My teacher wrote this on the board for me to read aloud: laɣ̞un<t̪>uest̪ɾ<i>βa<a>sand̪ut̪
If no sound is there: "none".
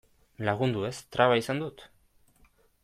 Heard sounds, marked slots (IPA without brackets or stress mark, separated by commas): d̪, a, i